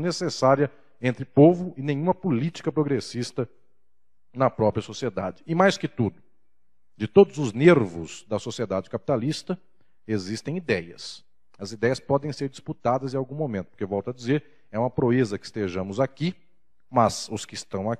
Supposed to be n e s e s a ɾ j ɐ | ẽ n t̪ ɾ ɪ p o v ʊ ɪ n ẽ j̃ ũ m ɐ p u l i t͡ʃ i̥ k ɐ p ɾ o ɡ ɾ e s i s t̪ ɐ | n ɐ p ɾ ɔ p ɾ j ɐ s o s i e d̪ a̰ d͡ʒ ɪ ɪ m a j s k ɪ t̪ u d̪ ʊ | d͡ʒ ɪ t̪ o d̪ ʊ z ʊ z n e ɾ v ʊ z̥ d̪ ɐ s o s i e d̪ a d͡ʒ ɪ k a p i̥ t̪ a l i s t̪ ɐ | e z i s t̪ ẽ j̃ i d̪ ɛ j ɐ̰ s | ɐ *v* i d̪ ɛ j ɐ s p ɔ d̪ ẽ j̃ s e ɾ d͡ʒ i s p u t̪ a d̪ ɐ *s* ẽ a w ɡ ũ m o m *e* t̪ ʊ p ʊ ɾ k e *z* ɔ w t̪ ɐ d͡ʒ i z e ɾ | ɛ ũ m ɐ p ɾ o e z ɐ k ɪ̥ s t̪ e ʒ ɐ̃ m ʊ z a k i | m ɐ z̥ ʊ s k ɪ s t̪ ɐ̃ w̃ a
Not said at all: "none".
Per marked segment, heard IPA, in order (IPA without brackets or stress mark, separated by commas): z, z, ẽ, v